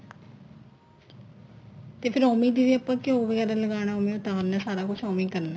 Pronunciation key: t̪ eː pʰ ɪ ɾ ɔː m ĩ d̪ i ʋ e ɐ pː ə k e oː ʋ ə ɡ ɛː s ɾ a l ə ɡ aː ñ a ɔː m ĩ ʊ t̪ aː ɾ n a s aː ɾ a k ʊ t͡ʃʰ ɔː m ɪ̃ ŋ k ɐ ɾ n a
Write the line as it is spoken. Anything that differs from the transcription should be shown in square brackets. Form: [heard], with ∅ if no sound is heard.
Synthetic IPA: t̪ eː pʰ ɪ ɾ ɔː m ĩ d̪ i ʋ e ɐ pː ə k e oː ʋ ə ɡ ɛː [∅] ɾ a l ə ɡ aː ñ a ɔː m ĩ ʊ t̪ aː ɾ n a s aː ɾ a k ʊ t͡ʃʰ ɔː m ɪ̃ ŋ k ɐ ɾ n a